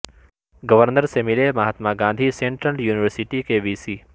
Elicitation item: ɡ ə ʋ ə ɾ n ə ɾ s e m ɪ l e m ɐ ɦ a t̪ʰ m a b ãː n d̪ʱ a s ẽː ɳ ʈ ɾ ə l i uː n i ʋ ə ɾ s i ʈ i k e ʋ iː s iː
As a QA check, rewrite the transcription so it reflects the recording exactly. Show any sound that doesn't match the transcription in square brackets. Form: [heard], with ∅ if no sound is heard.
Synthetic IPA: ɡ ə ʋ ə ɾ n ə ɾ s e m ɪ l e m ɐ ɦ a [t̪] m a [ɡ] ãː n d̪ʱ [i] s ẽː ɳ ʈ ɾ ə l [j] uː n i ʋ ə ɾ s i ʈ i k e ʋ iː s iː